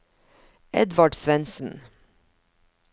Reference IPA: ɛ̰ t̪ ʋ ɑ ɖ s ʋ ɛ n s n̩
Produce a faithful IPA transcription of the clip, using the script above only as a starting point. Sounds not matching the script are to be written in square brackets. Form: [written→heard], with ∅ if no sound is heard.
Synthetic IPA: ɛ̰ [t̪→d̪] ʋ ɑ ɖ s ʋ ɛ n s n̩